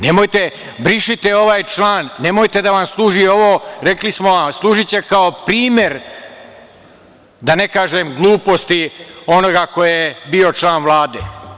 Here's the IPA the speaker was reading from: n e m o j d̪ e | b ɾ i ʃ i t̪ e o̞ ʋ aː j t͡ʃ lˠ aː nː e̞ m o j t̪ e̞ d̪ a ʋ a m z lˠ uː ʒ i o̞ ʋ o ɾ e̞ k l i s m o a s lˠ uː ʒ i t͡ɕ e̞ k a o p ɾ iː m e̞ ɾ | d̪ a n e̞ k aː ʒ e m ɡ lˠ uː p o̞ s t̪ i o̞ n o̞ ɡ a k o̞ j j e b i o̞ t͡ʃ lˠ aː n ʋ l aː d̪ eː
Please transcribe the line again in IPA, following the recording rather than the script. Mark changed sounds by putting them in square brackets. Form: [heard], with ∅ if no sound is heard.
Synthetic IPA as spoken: n e m o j [t̪] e | b ɾ i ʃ i t̪ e o̞ ʋ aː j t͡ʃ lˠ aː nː e̞ m o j t̪ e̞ d̪ a ʋ a m [s] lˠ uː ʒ i o̞ ʋ o ɾ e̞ k l i s m o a s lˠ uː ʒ i t͡ɕ e̞ k a o p ɾ iː m e̞ ɾ | d̪ a n e̞ k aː ʒ e m ɡ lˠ uː p o̞ s t̪ i o̞ n o̞ ɡ a k o̞ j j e b i o̞ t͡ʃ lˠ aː n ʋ l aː d̪ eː